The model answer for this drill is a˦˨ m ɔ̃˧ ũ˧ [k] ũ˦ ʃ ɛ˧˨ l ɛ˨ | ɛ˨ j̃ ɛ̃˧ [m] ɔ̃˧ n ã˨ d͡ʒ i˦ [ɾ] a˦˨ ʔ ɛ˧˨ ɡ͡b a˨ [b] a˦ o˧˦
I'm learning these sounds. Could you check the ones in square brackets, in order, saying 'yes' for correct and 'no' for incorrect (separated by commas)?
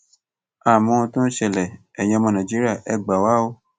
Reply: no, yes, yes, no